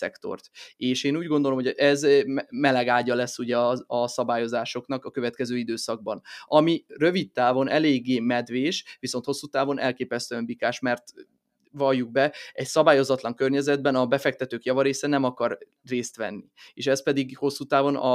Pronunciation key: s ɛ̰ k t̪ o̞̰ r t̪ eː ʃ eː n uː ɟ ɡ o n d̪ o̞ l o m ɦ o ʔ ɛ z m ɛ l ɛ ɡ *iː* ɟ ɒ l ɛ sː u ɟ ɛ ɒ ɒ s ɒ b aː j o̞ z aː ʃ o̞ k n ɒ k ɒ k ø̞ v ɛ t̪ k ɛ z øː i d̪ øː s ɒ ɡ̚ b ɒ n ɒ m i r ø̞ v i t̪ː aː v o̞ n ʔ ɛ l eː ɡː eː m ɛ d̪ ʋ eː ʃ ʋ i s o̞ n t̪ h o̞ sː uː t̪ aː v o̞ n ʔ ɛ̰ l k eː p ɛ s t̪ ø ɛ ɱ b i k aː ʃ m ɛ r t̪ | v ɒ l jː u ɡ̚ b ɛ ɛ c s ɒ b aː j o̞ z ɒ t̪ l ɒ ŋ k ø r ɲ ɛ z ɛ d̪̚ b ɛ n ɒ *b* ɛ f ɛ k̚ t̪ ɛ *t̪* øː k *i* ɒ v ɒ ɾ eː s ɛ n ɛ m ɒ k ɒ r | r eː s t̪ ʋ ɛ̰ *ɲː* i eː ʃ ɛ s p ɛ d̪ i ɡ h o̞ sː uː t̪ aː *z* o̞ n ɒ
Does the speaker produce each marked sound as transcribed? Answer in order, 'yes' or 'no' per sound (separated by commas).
no, yes, yes, no, no, no